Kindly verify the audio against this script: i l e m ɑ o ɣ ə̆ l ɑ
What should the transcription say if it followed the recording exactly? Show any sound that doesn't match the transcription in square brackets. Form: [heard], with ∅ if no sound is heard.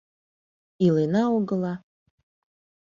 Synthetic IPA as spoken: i l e [n] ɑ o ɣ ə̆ l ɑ